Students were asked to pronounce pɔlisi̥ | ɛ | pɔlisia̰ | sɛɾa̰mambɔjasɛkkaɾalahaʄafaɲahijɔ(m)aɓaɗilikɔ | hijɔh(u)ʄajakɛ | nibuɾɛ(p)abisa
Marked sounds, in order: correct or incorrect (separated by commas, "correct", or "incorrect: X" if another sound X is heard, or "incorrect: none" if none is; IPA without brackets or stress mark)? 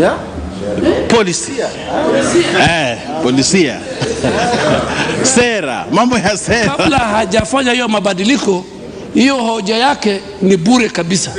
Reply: correct, incorrect: ɔ, incorrect: k